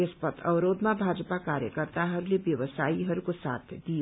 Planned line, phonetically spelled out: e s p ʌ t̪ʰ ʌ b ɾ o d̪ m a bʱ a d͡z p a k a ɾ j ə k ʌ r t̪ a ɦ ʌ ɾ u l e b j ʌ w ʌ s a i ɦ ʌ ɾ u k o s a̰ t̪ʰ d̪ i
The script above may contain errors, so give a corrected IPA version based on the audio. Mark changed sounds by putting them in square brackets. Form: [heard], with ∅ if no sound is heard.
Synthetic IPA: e s p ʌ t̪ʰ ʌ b ɾ o d̪ m a bʱ a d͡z p a k a ɾ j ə k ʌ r t̪ a ɦ ʌ ɾ u l e b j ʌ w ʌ s a i ɦ ʌ ɾ u k o s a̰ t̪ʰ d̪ i